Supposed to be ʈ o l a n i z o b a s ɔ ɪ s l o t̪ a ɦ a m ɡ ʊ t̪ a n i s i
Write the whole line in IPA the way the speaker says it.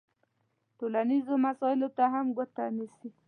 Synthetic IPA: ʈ o l a n i z o m a s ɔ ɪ l o t̪ a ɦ a m ɡ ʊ t̪ a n i s i